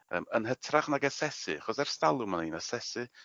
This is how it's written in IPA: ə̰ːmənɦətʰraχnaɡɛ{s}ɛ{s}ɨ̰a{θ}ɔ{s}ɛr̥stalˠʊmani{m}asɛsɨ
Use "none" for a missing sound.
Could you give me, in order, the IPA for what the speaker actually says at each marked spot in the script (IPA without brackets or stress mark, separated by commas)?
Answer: s, s, χ, s, n